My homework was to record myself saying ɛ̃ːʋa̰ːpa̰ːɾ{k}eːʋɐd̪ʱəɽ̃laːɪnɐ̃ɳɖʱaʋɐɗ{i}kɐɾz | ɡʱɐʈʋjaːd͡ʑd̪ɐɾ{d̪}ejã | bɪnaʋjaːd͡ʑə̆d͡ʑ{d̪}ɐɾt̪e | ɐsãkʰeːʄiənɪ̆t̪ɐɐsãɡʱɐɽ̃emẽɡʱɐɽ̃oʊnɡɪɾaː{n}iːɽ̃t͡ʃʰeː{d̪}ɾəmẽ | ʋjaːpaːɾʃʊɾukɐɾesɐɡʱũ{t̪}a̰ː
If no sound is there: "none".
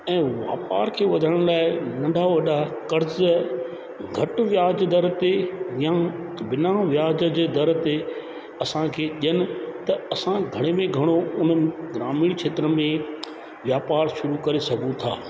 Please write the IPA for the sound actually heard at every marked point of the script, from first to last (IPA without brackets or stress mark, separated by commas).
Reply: kʰ, a, t̪, d̪, m, t̪, t̪ʰ